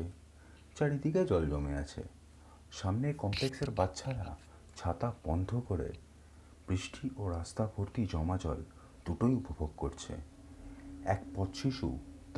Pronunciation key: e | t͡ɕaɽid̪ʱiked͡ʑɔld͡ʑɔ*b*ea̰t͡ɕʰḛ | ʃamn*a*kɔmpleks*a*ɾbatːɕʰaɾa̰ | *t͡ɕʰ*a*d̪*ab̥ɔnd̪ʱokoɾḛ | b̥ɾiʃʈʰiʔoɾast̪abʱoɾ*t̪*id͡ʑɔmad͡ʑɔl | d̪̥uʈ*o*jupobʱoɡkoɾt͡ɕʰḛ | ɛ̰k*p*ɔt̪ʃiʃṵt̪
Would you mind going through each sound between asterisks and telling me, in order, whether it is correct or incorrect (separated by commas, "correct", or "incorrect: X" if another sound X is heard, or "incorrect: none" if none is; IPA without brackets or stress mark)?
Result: incorrect: m, incorrect: e, incorrect: e, correct, incorrect: t̪, correct, correct, correct